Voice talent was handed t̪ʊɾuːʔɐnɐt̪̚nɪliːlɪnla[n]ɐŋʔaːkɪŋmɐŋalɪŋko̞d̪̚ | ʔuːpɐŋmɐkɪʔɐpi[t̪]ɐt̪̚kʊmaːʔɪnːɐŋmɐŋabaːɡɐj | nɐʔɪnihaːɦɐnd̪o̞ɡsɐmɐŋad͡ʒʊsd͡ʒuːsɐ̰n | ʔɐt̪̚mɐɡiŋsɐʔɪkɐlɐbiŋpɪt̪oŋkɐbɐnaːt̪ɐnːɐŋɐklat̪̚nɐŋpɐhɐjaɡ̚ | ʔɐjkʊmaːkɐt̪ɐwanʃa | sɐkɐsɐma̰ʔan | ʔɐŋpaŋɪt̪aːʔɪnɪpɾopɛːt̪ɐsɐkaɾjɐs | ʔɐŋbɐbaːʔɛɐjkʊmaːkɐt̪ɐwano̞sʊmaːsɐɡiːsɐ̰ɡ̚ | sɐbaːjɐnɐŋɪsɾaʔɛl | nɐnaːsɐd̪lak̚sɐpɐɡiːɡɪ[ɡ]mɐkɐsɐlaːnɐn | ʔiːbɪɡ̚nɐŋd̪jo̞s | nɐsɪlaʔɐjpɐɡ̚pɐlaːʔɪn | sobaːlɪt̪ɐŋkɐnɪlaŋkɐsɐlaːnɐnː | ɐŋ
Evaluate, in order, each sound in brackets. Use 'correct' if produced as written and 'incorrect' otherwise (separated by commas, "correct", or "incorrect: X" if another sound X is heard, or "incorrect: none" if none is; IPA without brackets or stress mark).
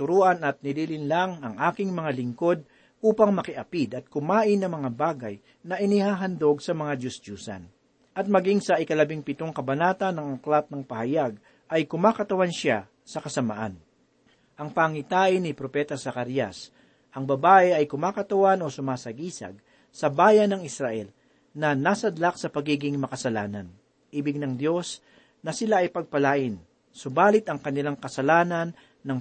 incorrect: ŋ, incorrect: d̪, incorrect: ŋ